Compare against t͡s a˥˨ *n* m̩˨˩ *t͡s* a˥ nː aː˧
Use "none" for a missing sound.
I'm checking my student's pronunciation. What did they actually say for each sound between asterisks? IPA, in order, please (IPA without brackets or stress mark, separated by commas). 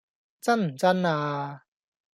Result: n, t͡s